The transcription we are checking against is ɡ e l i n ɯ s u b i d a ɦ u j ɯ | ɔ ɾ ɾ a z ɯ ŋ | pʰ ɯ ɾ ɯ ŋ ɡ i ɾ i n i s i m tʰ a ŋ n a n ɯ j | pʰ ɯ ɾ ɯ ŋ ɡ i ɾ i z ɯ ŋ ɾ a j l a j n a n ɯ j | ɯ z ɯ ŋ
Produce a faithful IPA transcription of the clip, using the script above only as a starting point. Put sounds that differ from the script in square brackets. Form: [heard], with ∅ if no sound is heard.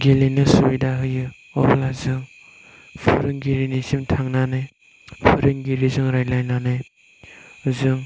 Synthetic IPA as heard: ɡ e l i n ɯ s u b i d a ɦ [ɯ] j ɯ | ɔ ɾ [l] a z ɯ ŋ | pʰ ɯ ɾ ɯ ŋ ɡ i ɾ i n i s i m tʰ a ŋ n a n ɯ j | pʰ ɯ ɾ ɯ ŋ ɡ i ɾ i z ɯ ŋ ɾ a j l a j n a n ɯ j | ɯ z ɯ ŋ

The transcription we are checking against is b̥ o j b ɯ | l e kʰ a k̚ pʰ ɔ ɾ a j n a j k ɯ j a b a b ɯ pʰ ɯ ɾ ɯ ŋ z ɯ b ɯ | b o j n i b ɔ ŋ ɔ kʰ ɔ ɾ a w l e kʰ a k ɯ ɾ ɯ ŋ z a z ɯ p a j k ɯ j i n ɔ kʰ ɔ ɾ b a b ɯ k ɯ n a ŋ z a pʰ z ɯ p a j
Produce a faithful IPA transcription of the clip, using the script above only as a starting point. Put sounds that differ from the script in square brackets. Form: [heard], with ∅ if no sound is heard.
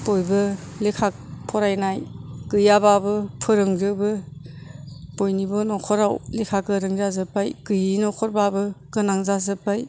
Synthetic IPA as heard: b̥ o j b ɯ | l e kʰ a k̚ pʰ ɔ ɾ a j n a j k ɯ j a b a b ɯ pʰ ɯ ɾ ɯ ŋ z ɯ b ɯ | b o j n i b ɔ [n] ɔ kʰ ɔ ɾ a w l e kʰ a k ɯ ɾ ɯ ŋ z a z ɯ p a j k ɯ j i n ɔ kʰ ɔ ɾ b a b ɯ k ɯ n a ŋ z a [∅] z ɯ p a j

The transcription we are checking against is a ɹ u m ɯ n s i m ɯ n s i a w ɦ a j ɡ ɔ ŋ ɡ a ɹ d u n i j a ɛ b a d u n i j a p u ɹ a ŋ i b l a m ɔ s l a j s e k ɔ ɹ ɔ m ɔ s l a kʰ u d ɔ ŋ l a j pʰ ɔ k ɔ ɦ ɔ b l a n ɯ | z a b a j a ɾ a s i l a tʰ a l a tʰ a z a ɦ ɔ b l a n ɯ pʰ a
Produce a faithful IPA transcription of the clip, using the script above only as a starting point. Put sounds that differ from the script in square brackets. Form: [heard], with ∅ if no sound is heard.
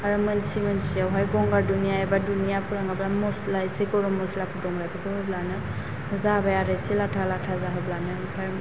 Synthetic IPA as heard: a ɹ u m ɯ n s i m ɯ n s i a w ɦ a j ɡ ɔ ŋ ɡ a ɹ d u n i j a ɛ b a d u n i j a p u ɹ a ŋ [a] b l a m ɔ s l a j s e k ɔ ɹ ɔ m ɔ s l a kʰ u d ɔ ŋ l a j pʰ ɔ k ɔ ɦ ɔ b l a n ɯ | z a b a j a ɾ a s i l a tʰ a l a tʰ a z a ɦ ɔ b l a n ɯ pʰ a

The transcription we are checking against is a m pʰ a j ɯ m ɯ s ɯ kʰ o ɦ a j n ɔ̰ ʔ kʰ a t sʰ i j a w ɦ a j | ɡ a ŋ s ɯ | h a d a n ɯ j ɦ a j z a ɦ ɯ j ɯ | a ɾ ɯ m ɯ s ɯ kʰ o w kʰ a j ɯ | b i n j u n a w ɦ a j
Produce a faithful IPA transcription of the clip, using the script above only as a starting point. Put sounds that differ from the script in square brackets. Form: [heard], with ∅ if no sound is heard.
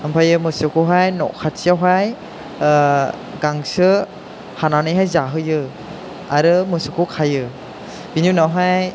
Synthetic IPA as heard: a m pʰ a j ɯ m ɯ s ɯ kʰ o ɦ a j n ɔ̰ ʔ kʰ a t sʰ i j a w ɦ a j | ɡ a ŋ s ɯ | h a [n] a n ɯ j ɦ a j z a ɦ ɯ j ɯ | a ɾ ɯ m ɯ s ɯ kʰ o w kʰ a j ɯ | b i n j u n a w ɦ a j

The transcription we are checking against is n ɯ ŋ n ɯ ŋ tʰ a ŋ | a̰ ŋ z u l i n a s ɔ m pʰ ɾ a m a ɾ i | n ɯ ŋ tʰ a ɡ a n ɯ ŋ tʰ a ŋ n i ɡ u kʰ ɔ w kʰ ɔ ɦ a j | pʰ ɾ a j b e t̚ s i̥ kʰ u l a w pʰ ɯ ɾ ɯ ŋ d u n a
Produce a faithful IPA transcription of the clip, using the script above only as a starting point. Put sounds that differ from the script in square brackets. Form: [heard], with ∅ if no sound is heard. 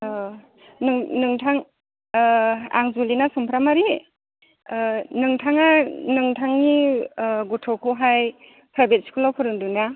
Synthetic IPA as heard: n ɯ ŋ n ɯ ŋ tʰ a ŋ | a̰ ŋ z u l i n a s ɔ m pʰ ɾ a m a ɾ i | n ɯ ŋ tʰ a [ŋ] a n ɯ ŋ tʰ a ŋ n i ɡ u [tʰ] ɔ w kʰ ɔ ɦ a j | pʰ ɾ a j b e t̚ s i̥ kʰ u l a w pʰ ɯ ɾ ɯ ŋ d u n a

